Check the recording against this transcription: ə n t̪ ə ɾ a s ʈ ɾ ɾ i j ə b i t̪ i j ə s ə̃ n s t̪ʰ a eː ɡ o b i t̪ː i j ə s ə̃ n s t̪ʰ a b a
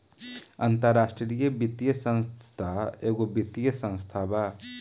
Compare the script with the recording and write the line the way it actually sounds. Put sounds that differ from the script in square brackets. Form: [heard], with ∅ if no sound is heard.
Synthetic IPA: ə n t̪ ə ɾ a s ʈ ɾ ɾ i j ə b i t̪ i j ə s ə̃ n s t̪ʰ a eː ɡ o b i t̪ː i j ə s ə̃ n s t̪ʰ a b a